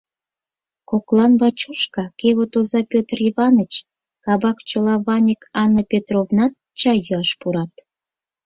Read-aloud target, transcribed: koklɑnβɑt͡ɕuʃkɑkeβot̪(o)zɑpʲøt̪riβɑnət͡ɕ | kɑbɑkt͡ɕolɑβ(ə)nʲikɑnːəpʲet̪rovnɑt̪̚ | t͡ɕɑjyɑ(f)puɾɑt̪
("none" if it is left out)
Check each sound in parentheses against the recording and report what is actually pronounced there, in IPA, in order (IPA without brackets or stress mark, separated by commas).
o, ɑ, ʃ